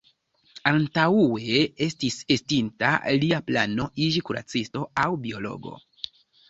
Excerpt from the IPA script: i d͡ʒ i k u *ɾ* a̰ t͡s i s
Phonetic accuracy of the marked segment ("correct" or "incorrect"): correct